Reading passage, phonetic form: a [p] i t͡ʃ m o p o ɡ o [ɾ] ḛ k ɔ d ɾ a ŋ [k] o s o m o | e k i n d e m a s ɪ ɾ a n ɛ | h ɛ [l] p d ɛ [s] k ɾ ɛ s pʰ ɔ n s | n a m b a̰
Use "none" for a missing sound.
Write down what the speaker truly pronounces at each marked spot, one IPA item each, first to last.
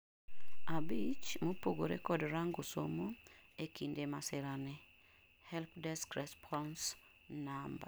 b, ɾ, ɡ, l, s

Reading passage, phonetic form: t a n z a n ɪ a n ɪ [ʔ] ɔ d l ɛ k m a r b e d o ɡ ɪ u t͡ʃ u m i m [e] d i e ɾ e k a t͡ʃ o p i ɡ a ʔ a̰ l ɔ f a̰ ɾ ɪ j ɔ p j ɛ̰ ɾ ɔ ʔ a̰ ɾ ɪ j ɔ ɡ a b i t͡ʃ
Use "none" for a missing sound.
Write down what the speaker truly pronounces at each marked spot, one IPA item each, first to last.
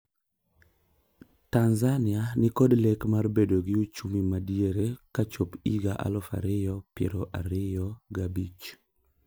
k, a

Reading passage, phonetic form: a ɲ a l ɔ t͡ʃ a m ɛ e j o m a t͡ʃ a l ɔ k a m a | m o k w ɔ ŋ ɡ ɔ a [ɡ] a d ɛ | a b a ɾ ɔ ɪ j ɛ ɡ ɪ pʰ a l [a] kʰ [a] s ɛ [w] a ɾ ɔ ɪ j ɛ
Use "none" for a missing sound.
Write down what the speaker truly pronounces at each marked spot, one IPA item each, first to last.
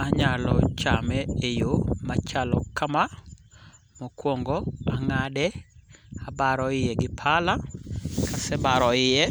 ŋ, a, a, b

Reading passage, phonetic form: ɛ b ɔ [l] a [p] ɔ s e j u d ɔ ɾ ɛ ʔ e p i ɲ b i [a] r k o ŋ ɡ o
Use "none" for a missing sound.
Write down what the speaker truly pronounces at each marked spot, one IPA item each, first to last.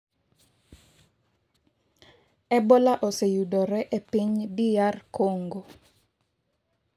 l, ʔ, a

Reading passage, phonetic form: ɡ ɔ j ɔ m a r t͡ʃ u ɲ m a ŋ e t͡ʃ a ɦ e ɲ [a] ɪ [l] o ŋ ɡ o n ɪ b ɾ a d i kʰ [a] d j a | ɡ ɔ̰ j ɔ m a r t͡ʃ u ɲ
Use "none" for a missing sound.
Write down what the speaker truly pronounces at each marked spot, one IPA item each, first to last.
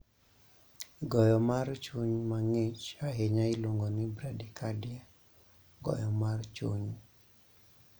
a, l, a

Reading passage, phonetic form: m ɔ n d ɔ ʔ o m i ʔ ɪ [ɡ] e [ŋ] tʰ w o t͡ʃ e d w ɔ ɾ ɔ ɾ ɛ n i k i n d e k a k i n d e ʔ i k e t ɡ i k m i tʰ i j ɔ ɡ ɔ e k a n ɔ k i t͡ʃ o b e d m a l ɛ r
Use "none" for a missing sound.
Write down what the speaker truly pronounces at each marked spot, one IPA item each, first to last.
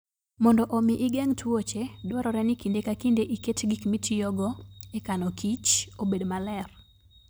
ɡ, ŋ

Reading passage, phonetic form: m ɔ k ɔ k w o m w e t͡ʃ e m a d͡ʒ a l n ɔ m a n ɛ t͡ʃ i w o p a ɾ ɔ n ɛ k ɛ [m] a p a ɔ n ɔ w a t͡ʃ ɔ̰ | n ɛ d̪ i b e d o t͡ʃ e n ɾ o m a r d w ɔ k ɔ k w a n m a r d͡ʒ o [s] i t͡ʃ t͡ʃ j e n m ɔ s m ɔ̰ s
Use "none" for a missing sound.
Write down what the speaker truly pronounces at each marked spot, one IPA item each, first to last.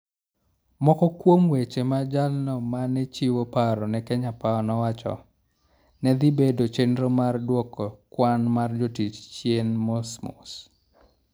ɲ, t

